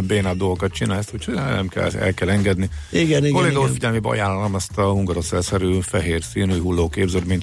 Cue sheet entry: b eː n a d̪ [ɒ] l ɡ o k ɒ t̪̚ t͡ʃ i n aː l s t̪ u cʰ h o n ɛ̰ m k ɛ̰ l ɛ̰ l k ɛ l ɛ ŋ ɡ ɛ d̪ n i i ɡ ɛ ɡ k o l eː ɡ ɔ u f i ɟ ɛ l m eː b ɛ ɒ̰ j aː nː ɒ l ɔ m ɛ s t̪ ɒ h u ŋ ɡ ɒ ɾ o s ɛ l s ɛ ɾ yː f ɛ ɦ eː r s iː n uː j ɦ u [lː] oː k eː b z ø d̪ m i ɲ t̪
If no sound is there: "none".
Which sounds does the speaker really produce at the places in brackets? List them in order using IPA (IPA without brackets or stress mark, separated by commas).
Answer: o, lː